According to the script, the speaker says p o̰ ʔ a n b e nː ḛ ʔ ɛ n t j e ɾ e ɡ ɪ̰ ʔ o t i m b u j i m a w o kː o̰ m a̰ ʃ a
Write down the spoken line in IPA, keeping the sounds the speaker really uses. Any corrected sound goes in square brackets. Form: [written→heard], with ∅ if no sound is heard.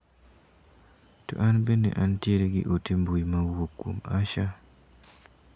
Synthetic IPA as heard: [p→t] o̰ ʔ a n b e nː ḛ ʔ [ɛ→a] n t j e ɾ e ɡ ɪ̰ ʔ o t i m b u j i m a w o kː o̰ m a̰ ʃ a